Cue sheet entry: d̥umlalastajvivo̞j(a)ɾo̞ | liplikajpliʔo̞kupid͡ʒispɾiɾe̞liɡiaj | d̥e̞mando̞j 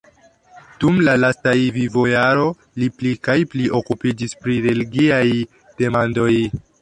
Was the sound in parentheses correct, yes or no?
yes